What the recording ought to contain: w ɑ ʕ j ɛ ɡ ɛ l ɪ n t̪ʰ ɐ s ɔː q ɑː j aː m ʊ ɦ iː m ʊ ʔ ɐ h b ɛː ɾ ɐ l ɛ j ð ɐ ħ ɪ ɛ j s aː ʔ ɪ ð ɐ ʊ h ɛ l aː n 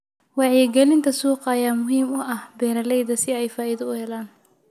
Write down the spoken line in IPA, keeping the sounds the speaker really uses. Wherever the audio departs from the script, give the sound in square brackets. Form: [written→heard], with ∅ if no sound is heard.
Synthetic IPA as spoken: w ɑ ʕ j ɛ ɡ ɛ l ɪ n t̪ʰ ɐ s [ɔː→uː] q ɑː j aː m ʊ ɦ iː m ʊ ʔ ɐ h b ɛː ɾ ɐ l ɛ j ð ɐ [ħ→s] ɪ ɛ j [s→f] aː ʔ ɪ ð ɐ ʊ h ɛ l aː n

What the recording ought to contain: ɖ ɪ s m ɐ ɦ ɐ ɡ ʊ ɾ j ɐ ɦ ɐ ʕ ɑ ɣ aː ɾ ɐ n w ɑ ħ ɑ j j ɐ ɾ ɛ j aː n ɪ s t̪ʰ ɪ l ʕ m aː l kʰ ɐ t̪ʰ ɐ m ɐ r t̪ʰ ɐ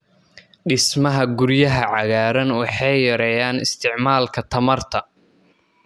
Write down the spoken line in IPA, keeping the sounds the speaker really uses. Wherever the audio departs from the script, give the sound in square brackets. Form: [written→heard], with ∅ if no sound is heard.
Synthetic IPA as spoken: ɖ ɪ s m ɐ ɦ ɐ ɡ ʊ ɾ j ɐ ɦ ɐ ʕ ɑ ɣ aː ɾ ɐ n w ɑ ħ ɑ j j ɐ ɾ ɛ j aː n ɪ s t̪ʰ ɪ [l→∅] ʕ m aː l kʰ ɐ t̪ʰ ɐ m ɐ r t̪ʰ ɐ

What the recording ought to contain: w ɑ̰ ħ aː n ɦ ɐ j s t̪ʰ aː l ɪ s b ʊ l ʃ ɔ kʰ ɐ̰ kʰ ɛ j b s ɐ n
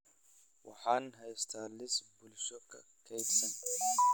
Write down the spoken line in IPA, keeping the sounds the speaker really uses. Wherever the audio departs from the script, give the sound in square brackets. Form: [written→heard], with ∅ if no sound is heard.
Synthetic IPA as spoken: w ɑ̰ ħ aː n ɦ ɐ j s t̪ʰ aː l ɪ s b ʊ l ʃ ɔ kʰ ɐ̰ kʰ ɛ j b s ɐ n

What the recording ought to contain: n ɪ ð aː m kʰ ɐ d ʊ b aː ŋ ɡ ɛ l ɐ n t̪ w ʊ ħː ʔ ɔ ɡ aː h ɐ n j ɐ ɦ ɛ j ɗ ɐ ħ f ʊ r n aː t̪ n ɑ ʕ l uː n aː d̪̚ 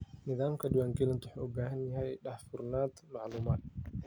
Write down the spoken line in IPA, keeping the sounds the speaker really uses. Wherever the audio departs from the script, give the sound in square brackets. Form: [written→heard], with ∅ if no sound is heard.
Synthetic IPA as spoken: n ɪ ð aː m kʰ ɐ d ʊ [b→w] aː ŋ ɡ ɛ l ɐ n t̪ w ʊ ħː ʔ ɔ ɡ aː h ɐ n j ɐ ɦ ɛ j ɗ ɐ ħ f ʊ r n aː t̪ [n→m] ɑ ʕ l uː [n→m] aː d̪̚

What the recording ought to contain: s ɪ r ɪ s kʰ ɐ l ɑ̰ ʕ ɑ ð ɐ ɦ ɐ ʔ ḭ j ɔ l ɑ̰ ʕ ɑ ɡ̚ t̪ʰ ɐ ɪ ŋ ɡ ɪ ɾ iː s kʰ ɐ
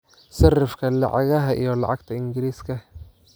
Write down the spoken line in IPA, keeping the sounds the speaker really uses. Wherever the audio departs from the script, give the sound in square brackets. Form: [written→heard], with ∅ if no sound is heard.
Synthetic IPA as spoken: s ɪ r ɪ [s→f] kʰ ɐ l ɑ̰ ʕ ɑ [ð→ɣ] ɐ ɦ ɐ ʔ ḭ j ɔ l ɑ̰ ʕ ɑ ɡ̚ t̪ʰ ɐ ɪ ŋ ɡ ɪ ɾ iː s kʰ ɐ

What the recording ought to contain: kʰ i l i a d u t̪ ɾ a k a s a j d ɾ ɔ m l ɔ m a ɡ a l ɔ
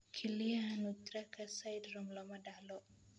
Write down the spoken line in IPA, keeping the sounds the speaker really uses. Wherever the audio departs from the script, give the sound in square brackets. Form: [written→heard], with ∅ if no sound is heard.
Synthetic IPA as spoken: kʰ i l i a [d→n] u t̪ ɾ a k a s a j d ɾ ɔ m l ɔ m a [ɡ→d] a l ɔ

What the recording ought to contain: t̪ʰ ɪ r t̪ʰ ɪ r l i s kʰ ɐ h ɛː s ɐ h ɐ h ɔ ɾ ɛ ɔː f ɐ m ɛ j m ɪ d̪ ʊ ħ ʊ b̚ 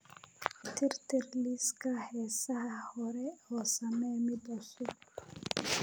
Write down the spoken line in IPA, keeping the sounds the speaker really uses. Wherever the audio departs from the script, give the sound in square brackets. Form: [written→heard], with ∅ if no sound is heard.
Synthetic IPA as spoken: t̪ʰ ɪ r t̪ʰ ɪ r l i s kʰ ɐ h ɛː s ɐ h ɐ h ɔ ɾ ɛ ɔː [f→s] ɐ m ɛ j m ɪ d̪ ʊ [ħ→s] ʊ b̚

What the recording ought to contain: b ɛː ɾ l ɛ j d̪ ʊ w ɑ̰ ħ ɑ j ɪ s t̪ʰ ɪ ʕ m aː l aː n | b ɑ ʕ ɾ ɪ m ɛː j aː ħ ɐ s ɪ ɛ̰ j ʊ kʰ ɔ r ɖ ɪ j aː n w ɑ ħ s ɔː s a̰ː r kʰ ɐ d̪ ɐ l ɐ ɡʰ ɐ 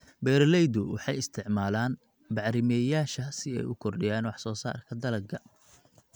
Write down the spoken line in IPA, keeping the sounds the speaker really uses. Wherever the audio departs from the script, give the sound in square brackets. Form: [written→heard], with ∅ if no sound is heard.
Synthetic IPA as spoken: b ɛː ɾ l ɛ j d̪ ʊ w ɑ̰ ħ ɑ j ɪ s t̪ʰ ɪ ʕ m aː l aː n | b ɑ ʕ ɾ ɪ m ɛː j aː [ħ→ʃ] ɐ s ɪ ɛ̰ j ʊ kʰ ɔ r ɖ ɪ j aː n w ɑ ħ s ɔː s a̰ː r kʰ ɐ d̪ ɐ l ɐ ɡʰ ɐ

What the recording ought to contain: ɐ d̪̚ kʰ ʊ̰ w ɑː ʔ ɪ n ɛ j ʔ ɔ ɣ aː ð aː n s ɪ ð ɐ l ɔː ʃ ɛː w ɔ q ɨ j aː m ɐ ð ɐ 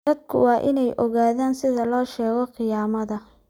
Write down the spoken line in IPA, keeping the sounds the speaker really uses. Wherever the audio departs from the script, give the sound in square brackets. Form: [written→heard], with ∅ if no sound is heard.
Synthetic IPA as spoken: ɐ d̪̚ kʰ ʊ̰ w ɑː ʔ ɪ n ɛ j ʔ ɔ ɣ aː ð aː n s ɪ ð ɐ l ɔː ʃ ɛː [w→ɣ] ɔ q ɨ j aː m ɐ ð ɐ

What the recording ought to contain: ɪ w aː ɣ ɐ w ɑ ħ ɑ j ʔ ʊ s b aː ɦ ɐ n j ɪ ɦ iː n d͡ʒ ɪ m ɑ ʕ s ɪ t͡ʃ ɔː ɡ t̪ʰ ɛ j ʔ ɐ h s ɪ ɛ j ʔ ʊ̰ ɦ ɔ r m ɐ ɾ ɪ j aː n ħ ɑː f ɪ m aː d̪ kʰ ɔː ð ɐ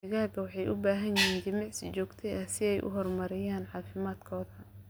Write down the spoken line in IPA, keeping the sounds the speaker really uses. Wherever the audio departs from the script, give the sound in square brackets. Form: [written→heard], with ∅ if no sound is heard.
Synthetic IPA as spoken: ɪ [w→ɣ] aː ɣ ɐ w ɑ ħ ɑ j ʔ ʊ [s→∅] b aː ɦ ɐ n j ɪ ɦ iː n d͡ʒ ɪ m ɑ ʕ s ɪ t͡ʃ ɔː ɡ t̪ʰ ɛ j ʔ ɐ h s ɪ ɛ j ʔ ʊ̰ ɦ ɔ r m ɐ ɾ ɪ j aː n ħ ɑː f ɪ m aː d̪ kʰ ɔː ð ɐ

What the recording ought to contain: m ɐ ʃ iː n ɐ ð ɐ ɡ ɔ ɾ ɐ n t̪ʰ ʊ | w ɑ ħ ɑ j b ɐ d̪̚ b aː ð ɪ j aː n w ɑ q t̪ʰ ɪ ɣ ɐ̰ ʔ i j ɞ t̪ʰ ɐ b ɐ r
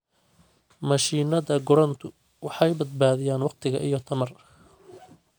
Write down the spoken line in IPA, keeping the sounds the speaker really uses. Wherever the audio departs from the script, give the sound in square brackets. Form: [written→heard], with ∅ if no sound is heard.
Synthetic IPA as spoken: m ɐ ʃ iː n ɐ ð ɐ ɡ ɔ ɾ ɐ n t̪ʰ ʊ | w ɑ ħ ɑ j b ɐ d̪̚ b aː ð ɪ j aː n w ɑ q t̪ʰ ɪ ɣ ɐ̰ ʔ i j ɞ t̪ʰ ɐ [b→m] ɐ r

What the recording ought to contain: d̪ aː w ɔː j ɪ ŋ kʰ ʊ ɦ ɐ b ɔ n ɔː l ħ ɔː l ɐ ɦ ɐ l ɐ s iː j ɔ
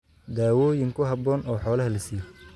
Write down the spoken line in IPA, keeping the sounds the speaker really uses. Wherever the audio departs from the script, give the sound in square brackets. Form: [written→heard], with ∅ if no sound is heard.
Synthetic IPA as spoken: d̪ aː w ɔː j ɪ ŋ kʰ ʊ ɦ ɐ b [ɔ→ɔː] n ɔː [l→∅] ħ ɔː l ɐ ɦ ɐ l ɐ s iː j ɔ

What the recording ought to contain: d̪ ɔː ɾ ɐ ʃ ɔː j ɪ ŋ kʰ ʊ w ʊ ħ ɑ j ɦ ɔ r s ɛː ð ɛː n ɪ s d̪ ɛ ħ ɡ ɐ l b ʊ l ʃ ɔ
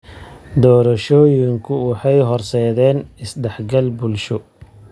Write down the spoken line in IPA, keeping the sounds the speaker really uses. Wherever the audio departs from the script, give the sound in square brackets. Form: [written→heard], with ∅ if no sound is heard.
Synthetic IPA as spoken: d̪ ɔː ɾ ɐ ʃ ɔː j ɪ ŋ kʰ ʊ w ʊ ħ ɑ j ɦ ɔ r s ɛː ð ɛː n ɪ s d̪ ɛ ħ ɡ ɐ l b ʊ l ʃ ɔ

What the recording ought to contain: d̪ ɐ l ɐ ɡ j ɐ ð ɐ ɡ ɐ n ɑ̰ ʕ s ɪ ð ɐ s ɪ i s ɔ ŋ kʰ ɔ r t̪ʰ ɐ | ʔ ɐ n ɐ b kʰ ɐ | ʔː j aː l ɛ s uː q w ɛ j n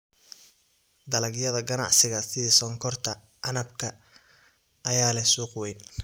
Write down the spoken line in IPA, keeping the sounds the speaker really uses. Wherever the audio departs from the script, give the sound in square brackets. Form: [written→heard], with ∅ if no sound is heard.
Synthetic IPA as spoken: d̪ ɐ l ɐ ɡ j ɐ ð ɐ ɡ ɐ n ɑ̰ ʕ s ɪ [ð→ɣ] ɐ s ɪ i s ɔ ŋ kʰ ɔ r t̪ʰ ɐ | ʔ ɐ n ɐ b kʰ ɐ | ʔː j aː l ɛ s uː q w ɛ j n

